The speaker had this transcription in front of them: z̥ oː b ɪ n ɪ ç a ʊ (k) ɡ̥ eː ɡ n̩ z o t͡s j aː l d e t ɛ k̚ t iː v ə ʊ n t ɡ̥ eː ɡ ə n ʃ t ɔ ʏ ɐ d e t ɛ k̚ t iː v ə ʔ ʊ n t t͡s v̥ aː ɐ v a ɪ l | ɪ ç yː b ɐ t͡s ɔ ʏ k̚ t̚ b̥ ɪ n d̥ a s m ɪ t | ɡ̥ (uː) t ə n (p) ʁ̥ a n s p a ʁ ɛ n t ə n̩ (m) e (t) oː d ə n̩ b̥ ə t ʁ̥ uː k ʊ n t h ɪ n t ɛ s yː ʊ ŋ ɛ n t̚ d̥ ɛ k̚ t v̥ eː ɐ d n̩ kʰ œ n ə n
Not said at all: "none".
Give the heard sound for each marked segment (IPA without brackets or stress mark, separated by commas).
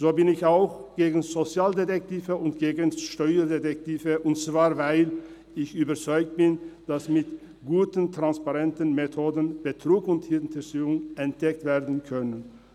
x, uː, t, m, tʰ